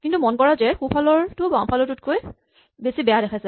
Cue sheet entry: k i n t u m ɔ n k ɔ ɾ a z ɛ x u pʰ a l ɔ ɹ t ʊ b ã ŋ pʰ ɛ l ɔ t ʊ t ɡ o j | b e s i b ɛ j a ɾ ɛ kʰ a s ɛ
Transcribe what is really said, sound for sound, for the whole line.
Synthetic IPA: k i n t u m ɔ n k ɔ ɹ a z ɛ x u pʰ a l ɔ ɹ t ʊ b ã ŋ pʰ a l ɔ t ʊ t k o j | b e s i b ɛ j a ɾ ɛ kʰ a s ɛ